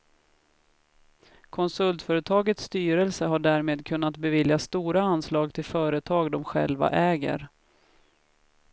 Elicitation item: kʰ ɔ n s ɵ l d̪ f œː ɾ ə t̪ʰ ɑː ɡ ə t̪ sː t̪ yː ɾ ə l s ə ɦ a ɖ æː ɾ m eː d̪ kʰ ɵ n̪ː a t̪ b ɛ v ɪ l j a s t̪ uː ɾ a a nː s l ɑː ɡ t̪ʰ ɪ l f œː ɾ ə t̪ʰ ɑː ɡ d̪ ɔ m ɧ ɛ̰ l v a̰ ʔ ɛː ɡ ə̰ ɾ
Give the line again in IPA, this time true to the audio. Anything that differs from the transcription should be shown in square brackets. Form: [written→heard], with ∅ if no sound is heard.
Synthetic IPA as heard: kʰ ɔ n s ɵ l [d̪→t̪] f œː ɾ ə t̪ʰ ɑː ɡ ə t̪ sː t̪ yː ɾ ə l s ə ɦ a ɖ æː ɾ m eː d̪ kʰ ɵ n̪ː a t̪ b ɛ v ɪ l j a s t̪ uː ɾ a a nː s l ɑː ɡ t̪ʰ ɪ l f œː ɾ ə t̪ʰ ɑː ɡ d̪ ɔ m ɧ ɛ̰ l v a̰ ʔ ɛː ɡ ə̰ ɾ

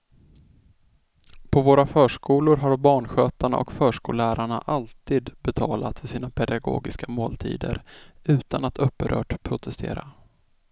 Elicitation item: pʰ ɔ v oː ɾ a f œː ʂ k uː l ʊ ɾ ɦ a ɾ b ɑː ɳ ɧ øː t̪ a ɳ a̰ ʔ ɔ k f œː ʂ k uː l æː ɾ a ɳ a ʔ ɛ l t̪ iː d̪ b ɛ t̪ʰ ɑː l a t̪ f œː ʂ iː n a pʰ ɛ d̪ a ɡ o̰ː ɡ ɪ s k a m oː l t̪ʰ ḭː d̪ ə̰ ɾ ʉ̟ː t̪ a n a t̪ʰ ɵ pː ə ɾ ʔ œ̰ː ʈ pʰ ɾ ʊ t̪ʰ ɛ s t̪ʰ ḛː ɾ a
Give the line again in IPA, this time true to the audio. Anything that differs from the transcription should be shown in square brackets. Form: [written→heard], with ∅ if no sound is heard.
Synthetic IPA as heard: pʰ ɔ v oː ɾ a f œː ʂ k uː l ʊ ɾ ɦ a ɾ b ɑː ɳ ɧ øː t̪ a ɳ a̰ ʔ ɔ k f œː ʂ k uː l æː ɾ a ɳ a ʔ [ɛ→a] l t̪ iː d̪ b ɛ t̪ʰ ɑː l a t̪ f [œː→œ] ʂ iː n a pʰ ɛ d̪ a ɡ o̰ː ɡ ɪ s k a m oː l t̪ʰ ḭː d̪ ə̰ ɾ ʉ̟ː t̪ a n a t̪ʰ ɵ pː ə ɾ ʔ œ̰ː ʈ pʰ ɾ ʊ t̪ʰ ɛ s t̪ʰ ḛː ɾ a

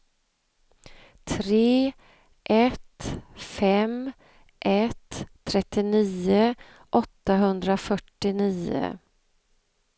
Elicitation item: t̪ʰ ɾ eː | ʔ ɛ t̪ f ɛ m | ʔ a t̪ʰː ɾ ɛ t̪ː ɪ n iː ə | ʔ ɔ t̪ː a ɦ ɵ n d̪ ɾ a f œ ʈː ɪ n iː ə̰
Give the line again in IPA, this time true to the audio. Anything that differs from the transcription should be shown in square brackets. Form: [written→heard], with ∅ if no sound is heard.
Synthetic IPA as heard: t̪ʰ ɾ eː | ʔ ɛ t̪ f ɛ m | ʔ [a→ɛ] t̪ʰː ɾ ɛ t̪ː ɪ n iː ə | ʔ ɔ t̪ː a ɦ ɵ n d̪ ɾ a f œ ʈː ɪ n iː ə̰

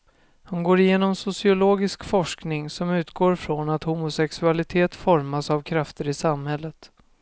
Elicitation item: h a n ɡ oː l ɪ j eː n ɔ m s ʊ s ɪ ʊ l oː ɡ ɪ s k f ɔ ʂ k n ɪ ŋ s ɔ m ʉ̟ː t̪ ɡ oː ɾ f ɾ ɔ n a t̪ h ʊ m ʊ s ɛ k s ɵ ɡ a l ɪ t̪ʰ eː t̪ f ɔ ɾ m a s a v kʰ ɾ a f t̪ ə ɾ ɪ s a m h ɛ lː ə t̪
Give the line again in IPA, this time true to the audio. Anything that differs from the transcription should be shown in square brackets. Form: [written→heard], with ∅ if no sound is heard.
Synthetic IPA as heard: h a n ɡ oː [l→ɾ] ɪ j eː n ɔ m s ʊ s ɪ ʊ l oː ɡ ɪ s k f ɔ ʂ k n ɪ ŋ s ɔ m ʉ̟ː t̪ ɡ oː ɾ f ɾ ɔ n a t̪ h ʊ m ʊ s ɛ k s ɵ [ɡ→∅] a l ɪ t̪ʰ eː t̪ f ɔ ɾ m a s a v kʰ ɾ a f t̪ ə ɾ ɪ s a m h ɛ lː ə t̪

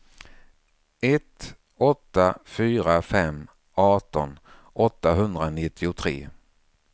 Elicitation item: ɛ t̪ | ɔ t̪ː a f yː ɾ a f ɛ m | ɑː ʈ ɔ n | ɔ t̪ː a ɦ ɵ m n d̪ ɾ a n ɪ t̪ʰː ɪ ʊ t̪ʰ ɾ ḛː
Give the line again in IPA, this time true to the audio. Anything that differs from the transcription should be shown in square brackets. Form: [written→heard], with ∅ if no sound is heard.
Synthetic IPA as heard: ɛ t̪ | ɔ t̪ː a f yː ɾ a f ɛ m | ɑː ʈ ɔ n | ɔ t̪ː a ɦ ɵ [m→∅] n d̪ ɾ a n ɪ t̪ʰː ɪ ʊ t̪ʰ ɾ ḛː

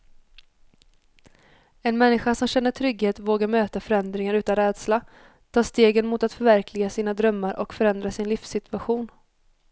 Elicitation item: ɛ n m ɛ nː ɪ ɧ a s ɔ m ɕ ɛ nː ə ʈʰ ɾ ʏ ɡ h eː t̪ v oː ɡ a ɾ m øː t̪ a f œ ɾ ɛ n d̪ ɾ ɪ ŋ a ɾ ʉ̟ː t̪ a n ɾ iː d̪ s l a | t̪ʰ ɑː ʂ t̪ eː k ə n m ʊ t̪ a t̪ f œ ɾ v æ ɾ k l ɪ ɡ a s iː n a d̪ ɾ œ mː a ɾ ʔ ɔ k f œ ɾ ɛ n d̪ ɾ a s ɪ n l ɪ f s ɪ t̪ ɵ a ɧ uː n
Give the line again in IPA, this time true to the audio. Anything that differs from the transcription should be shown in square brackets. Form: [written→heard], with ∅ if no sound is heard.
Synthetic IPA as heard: ɛ n m ɛ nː ɪ ɧ a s ɔ m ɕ ɛ nː ə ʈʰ ɾ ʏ ɡ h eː t̪ v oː ɡ a ɾ m øː t̪ a f œ ɾ ɛ n d̪ ɾ ɪ ŋ a ɾ ʉ̟ː t̪ a n ɾ [iː→ɛː] d̪ s l a | t̪ʰ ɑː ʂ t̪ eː [k→ɡ] ə n m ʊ t̪ a t̪ f œ ɾ v æ ɾ k l ɪ ɡ a s iː n a d̪ ɾ œ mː a ɾ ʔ ɔ k f œ ɾ ɛ n d̪ ɾ a s ɪ n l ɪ f s ɪ t̪ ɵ a ɧ uː n

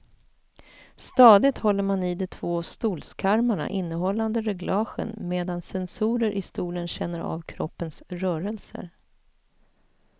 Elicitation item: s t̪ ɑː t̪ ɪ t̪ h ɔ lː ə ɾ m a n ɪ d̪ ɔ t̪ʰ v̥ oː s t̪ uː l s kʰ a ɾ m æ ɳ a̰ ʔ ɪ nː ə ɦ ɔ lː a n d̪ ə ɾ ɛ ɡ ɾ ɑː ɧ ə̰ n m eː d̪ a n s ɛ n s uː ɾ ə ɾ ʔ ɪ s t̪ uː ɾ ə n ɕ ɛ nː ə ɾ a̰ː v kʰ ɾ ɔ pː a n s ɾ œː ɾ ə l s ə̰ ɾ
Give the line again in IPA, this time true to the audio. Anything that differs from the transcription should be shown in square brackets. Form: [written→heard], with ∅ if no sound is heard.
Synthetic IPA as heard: s t̪ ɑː [t̪→d̪] ɪ t̪ h ɔ lː ə ɾ m a n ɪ d̪ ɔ t̪ʰ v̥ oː s t̪ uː l s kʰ a ɾ m [æ→a] ɳ a̰ ʔ ɪ nː ə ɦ ɔ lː a n d̪ ə ɾ ɛ ɡ [ɾ→l] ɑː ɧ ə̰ n m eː d̪ a n s ɛ n s uː ɾ ə ɾ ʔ ɪ s t̪ uː [ɾ→l] ə n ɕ ɛ nː ə ɾ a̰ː v kʰ ɾ ɔ pː [a→ə] n s ɾ œː ɾ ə l s ə̰ ɾ

